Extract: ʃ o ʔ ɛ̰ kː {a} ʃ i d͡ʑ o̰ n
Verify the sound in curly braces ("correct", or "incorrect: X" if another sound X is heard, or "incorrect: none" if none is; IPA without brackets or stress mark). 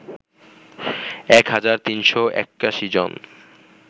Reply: correct